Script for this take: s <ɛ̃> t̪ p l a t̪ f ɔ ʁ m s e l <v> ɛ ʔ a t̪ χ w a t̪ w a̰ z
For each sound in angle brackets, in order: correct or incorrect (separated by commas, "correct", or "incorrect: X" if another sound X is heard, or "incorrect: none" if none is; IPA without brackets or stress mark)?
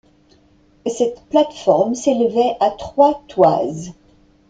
incorrect: ɛ, correct